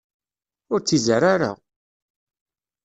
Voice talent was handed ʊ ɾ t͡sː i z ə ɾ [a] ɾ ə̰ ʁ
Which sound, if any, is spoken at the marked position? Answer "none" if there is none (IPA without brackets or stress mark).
a